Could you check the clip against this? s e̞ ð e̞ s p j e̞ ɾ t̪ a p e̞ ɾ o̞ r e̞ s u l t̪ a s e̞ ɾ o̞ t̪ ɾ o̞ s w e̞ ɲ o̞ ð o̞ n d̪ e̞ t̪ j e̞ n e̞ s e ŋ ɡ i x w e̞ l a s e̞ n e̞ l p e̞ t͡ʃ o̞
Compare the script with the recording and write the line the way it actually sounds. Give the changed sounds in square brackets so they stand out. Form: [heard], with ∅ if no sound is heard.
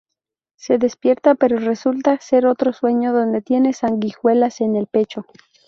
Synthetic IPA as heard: s e̞ ð e̞ s p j e̞ ɾ t̪ a p e̞ ɾ o̞ r e̞ s u l t̪ a s e̞ ɾ o̞ t̪ ɾ o̞ s w e̞ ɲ o̞ ð o̞ n d̪ e̞ t̪ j e̞ n e̞ s [a] ŋ ɡ i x w e̞ l a s e̞ n e̞ l p e̞ t͡ʃ o̞

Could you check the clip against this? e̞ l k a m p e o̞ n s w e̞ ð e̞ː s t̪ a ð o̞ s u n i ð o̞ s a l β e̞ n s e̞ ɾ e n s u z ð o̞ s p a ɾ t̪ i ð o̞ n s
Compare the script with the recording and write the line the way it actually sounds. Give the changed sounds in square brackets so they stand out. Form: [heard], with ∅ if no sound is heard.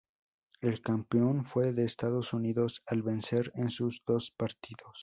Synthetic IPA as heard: e̞ l k a m p e o̞ n [f] w e̞ ð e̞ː s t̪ a ð o̞ s u n i ð o̞ s a l β e̞ n s e̞ ɾ e n s u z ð o̞ s p a ɾ t̪ i ð o̞ [∅] s

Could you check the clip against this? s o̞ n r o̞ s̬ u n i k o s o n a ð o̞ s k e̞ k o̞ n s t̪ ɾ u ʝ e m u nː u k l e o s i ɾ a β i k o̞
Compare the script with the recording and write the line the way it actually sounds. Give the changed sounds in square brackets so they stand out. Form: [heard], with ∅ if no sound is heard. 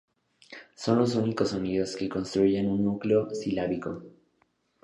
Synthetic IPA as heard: s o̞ n [l] o̞ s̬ u n i k o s o n [i] ð o̞ s k e̞ k o̞ n s t̪ ɾ u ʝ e [n] u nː u k l e o s i [l] a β i k o̞

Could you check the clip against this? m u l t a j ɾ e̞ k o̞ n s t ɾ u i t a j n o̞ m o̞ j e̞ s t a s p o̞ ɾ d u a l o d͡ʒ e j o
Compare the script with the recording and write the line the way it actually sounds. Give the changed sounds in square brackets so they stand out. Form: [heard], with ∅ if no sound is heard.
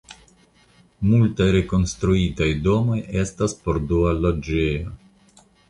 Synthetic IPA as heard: m u l t a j ɾ e̞ k o̞ n s t ɾ u i t a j [d] o̞ m o̞ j e̞ s t a s p o̞ ɾ d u a l o d͡ʒ e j o

